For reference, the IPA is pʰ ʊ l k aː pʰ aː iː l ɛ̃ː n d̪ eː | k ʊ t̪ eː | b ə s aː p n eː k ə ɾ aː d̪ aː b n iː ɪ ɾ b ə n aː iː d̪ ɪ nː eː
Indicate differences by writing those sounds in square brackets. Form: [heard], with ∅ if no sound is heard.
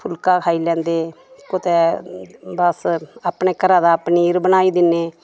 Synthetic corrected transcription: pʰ ʊ l k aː [kʰ] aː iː l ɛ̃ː n d̪ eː | k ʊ t̪ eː | b ə s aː p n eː k ə ɾ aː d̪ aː [p] n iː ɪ ɾ b ə n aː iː d̪ ɪ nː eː